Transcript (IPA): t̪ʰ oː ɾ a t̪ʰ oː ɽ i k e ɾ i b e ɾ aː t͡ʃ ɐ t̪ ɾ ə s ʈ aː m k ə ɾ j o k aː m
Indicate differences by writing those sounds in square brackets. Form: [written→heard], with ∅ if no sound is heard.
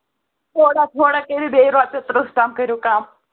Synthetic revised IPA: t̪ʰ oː [ɾ→ɽ] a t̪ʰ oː ɽ [i→a] k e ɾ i b e ɾ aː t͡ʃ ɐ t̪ ɾ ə s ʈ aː m k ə ɾ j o k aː m